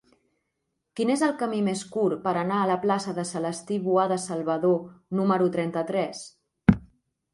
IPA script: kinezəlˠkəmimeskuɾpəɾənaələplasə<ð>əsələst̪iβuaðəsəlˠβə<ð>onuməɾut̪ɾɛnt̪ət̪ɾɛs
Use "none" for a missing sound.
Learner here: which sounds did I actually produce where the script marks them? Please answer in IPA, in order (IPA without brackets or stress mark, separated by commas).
ð, ð